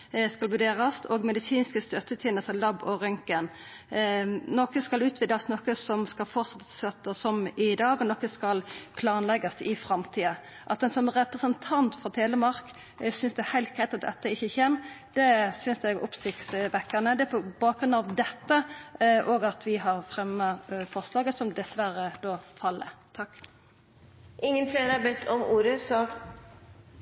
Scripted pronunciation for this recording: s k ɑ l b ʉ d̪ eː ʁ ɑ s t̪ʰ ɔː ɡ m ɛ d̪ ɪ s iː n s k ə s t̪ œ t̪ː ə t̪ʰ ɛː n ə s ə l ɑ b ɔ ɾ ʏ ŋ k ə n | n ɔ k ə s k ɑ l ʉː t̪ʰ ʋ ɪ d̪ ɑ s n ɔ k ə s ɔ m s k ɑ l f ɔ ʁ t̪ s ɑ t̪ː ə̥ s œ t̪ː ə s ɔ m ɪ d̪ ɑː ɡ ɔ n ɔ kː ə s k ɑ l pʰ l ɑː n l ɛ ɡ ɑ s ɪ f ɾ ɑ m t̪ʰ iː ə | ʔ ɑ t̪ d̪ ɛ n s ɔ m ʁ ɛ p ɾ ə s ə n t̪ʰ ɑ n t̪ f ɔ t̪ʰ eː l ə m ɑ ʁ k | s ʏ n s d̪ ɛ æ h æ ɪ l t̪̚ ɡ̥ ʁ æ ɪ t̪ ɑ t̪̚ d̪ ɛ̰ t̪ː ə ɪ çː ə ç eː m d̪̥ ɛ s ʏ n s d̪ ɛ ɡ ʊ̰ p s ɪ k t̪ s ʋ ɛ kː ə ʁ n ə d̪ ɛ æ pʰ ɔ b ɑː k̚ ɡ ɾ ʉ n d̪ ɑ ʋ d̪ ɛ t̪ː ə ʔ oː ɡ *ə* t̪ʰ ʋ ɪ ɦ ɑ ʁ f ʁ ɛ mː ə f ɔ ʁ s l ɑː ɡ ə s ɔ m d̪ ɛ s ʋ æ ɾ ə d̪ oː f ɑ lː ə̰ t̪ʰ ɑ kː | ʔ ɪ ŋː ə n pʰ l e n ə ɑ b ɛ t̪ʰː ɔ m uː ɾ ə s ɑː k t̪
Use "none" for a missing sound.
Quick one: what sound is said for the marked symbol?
ɑ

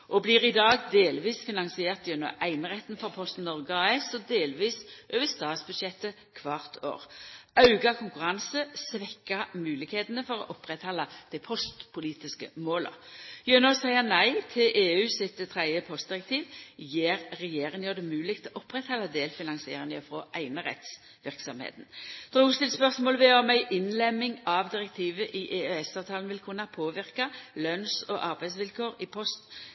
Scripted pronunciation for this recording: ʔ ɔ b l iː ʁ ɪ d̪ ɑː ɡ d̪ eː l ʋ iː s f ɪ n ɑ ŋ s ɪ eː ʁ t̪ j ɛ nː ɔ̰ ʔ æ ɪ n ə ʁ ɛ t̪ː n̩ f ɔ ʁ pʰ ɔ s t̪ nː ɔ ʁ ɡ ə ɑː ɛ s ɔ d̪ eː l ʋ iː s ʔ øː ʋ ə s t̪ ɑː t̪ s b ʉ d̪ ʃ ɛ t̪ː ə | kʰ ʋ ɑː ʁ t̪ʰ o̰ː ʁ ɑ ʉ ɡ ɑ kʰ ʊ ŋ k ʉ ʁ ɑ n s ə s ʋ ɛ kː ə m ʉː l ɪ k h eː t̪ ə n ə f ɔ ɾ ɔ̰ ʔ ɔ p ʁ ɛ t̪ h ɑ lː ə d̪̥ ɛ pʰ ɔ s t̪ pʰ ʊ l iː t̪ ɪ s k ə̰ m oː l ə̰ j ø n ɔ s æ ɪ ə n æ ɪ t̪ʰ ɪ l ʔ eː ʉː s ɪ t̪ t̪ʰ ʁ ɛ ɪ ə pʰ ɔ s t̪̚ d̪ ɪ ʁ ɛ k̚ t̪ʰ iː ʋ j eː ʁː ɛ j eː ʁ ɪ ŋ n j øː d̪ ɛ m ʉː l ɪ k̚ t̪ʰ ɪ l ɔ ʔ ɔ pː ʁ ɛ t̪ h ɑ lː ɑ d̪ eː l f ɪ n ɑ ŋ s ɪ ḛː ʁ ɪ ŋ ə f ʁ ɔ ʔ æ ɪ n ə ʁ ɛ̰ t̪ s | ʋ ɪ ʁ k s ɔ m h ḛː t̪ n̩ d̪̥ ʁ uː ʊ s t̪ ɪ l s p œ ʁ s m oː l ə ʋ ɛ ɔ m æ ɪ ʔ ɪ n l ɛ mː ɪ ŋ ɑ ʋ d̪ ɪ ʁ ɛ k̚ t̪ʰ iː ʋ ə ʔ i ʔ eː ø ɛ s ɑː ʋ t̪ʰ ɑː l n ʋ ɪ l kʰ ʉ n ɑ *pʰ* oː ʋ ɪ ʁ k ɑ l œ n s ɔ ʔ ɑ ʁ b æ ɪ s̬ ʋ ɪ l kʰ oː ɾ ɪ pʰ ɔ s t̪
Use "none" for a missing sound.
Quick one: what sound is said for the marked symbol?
pʰ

